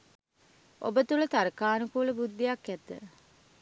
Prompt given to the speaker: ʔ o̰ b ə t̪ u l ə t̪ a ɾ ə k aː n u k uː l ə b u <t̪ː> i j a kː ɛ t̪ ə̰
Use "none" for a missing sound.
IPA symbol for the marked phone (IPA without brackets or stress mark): d̪ː